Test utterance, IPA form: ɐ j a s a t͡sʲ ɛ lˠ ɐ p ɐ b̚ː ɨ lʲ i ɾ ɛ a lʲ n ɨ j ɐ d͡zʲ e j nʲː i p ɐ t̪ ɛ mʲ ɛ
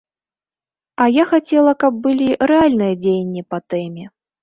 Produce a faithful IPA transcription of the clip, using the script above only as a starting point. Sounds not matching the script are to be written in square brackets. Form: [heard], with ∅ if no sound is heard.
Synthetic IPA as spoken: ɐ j a [x] a t͡sʲ ɛ lˠ ɐ [k] ɐ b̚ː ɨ lʲ i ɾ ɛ a lʲ n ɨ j ɐ d͡zʲ e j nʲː i p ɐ t̪ ɛ mʲ ɛ